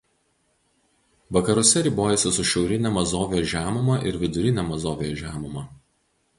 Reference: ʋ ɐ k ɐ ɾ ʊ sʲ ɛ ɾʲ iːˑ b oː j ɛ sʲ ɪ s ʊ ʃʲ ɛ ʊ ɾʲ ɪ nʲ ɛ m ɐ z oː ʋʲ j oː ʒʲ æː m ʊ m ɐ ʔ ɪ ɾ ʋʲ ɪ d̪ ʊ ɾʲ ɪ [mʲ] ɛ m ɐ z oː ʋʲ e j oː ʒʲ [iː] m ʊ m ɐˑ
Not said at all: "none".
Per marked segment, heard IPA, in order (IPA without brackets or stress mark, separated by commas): nʲ, æː